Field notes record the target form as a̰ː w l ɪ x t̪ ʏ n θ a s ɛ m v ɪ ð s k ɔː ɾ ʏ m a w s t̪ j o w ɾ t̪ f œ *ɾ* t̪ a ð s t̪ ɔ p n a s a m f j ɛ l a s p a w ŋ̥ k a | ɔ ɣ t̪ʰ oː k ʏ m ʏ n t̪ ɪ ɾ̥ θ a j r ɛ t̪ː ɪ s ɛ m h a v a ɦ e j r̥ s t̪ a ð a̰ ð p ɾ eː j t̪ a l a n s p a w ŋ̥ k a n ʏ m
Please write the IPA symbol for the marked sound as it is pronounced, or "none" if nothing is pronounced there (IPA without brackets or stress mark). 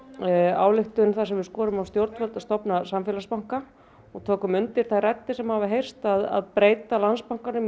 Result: l